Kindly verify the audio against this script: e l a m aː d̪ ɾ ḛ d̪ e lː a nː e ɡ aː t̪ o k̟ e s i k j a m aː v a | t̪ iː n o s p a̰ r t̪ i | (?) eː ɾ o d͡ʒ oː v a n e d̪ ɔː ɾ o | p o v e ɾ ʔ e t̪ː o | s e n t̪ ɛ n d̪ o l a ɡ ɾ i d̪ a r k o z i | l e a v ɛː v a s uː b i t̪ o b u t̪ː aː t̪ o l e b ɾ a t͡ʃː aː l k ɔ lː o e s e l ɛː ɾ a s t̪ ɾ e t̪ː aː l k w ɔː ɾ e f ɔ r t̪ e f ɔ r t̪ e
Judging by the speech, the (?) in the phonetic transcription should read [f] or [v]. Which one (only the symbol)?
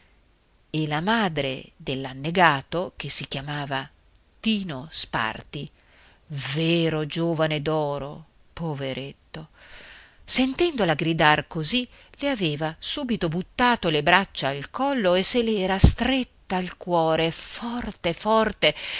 v